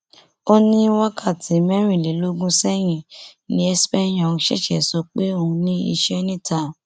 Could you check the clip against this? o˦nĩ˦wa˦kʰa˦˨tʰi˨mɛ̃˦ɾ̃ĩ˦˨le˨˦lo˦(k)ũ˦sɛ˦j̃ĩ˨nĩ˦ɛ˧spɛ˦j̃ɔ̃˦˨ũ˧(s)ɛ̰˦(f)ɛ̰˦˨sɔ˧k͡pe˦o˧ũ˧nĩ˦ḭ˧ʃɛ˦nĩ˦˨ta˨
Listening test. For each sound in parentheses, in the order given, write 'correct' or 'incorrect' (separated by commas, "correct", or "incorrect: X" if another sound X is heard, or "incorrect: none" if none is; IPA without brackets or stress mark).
incorrect: ɡ, incorrect: ʃ, incorrect: ʃ